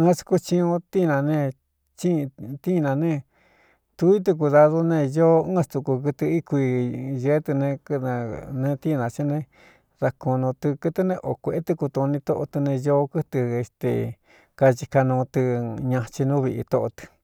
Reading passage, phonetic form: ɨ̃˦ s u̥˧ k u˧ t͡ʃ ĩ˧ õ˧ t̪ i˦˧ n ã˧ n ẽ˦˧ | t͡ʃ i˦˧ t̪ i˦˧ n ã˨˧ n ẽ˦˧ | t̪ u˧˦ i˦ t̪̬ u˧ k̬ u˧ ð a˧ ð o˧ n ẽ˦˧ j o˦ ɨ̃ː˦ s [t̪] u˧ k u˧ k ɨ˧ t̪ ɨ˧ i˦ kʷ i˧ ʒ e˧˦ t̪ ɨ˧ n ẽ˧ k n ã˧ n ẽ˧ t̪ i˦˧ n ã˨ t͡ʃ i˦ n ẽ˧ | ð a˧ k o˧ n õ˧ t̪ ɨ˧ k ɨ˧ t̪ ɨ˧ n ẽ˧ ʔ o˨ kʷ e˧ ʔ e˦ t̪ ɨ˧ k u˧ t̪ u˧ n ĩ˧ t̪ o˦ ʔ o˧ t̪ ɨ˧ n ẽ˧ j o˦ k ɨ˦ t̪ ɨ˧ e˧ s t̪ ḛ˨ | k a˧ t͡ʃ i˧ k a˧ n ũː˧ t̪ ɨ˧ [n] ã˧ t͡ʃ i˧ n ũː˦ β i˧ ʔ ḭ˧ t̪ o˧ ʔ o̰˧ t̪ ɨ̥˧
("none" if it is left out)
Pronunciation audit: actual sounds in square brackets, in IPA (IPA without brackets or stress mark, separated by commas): t̪, ɲ